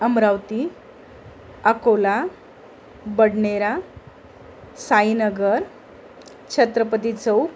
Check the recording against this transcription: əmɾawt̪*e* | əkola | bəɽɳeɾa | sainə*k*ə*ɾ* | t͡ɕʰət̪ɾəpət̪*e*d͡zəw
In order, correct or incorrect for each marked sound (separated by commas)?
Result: incorrect, incorrect, correct, incorrect